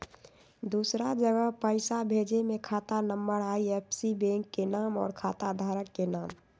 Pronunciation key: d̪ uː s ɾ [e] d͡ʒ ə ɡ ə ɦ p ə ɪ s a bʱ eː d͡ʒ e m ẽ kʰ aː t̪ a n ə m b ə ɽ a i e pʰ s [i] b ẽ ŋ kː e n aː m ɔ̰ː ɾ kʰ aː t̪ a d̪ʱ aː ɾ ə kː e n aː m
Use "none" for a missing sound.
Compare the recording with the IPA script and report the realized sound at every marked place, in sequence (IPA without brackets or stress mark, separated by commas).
a, i